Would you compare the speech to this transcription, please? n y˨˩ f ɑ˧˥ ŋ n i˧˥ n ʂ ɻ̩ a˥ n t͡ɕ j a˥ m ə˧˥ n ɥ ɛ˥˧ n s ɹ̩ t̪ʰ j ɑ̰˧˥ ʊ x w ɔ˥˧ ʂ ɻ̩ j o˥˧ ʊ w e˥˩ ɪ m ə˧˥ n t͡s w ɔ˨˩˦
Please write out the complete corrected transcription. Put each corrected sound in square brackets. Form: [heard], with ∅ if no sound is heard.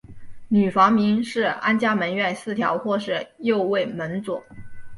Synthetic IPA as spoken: n y˨˩ f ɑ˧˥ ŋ [m] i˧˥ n ʂ ɻ̩ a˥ n t͡ɕ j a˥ m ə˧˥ n ɥ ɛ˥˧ n s ɹ̩ t̪ʰ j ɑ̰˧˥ ʊ x w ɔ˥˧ ʂ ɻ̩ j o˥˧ ʊ w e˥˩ ɪ m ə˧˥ n t͡s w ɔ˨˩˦